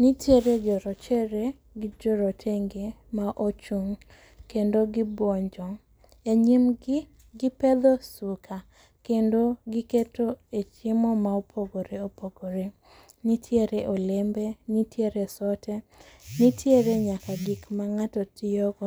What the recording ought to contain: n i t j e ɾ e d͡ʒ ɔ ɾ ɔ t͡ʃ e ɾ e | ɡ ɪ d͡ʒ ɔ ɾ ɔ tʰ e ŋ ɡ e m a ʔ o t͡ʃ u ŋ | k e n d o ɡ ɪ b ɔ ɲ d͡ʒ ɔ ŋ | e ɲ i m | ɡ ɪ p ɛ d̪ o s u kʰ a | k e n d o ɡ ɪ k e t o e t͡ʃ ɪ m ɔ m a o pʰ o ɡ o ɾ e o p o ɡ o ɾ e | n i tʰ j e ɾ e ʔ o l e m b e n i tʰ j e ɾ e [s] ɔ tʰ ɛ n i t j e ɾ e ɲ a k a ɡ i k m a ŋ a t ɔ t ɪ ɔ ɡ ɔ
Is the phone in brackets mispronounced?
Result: no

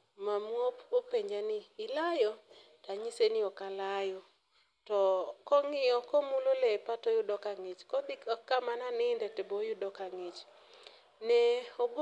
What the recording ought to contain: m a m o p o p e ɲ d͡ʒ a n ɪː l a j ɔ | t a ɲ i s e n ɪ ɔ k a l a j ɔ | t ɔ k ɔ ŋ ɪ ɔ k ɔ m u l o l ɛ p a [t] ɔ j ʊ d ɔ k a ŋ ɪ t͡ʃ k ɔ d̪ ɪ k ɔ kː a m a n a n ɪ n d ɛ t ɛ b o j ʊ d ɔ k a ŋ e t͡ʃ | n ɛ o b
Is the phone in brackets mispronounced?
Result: no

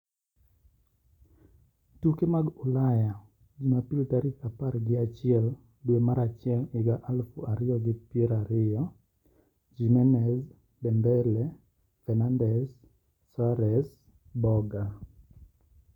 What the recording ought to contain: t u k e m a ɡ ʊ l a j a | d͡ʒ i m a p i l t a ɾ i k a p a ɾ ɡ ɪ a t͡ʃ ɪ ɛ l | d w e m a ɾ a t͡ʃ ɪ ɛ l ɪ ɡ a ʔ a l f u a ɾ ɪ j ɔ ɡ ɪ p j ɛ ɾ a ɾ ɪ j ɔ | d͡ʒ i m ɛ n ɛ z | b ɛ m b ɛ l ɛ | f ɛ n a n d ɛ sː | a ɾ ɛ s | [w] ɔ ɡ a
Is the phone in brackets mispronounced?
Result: yes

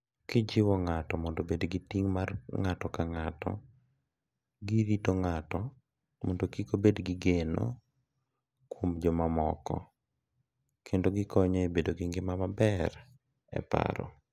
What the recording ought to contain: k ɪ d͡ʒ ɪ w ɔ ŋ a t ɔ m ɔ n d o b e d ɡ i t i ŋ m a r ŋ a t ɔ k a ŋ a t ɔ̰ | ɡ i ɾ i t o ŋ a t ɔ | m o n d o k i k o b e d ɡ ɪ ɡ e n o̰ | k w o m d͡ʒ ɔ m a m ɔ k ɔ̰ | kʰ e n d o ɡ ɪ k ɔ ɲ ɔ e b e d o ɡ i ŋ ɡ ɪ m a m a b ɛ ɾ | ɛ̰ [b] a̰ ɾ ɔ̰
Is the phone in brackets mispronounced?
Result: yes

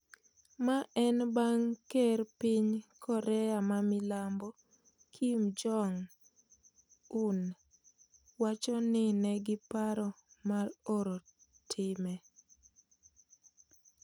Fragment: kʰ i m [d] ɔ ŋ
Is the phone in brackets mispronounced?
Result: yes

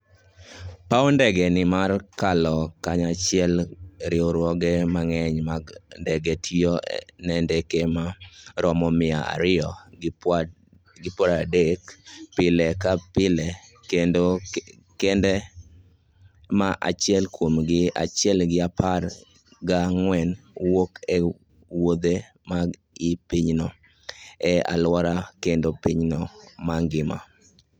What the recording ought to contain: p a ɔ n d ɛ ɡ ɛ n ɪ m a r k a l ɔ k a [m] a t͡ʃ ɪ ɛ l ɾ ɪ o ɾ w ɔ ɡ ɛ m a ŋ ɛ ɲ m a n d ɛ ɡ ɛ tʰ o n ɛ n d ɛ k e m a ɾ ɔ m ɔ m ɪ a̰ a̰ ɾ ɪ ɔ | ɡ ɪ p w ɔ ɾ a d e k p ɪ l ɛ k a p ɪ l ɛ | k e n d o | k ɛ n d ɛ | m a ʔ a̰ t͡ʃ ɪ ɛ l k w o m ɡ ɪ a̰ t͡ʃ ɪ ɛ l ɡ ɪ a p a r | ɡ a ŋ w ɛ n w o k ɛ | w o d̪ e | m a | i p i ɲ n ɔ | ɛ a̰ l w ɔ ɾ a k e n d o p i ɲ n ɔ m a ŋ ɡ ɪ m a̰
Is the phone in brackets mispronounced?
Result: yes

